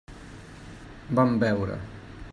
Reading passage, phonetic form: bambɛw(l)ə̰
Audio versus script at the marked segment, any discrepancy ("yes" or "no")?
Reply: yes